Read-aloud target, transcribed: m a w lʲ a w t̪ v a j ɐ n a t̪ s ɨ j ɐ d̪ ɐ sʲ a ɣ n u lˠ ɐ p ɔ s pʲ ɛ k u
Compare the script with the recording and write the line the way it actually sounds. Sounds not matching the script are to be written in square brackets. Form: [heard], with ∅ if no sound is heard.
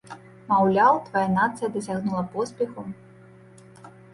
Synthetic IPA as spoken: m a w lʲ a w t̪ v a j [a] n a t̪ s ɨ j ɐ d̪ ɐ sʲ a ɣ n u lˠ ɐ p ɔ s pʲ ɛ [x] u